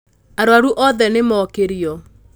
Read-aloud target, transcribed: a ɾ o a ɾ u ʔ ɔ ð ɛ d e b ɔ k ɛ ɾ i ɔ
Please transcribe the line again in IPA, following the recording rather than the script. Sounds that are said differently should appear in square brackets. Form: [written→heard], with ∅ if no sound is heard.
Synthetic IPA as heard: a ɾ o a ɾ u ʔ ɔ ð ɛ [d→n] e [b→m] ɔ k [ɛ→e] ɾ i ɔ